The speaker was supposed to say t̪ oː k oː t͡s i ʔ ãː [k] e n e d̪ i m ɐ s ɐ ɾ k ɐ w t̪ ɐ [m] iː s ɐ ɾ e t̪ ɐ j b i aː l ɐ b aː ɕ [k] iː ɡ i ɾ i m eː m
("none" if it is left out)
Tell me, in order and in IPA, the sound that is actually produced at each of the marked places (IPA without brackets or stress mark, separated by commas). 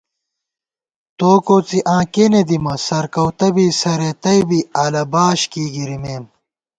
k, b, k